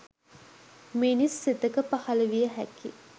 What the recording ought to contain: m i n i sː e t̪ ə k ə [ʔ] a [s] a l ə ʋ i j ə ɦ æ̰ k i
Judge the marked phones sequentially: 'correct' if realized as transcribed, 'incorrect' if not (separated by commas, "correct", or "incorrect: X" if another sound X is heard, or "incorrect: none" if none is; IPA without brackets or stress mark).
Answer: incorrect: p, incorrect: h